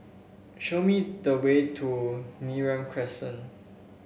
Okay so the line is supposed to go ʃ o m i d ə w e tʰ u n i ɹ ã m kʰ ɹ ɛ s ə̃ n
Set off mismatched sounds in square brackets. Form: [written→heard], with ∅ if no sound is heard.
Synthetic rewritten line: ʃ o m i d ə w e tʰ u n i ɹ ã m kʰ ɹ ɛ s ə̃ n